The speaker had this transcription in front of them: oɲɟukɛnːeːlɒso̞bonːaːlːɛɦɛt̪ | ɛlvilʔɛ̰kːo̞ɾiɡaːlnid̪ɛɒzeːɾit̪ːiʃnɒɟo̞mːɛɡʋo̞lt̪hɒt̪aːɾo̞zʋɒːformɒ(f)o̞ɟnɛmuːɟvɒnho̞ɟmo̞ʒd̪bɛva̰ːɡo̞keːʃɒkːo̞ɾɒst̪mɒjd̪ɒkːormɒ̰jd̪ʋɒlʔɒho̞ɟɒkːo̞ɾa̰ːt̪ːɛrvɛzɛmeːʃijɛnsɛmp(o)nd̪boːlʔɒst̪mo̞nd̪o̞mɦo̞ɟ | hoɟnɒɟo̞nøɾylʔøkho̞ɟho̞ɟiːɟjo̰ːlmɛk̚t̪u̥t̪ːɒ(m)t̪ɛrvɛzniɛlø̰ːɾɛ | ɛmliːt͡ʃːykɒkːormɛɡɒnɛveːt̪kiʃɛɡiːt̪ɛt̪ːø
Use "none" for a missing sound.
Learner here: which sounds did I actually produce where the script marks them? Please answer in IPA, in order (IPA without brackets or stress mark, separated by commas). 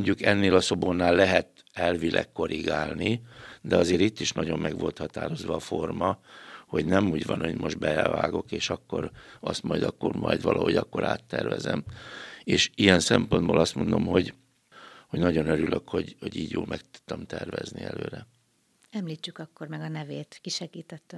h, o, m